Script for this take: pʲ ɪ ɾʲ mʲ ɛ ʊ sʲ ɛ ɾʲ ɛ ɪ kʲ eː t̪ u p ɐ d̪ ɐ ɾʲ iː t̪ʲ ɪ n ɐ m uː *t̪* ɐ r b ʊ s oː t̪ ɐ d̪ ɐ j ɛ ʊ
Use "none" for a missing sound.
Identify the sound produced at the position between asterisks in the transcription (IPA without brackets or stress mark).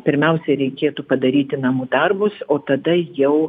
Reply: d̪